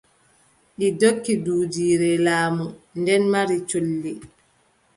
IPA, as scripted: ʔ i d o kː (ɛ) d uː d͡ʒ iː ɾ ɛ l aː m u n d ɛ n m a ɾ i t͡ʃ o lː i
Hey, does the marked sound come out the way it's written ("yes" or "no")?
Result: no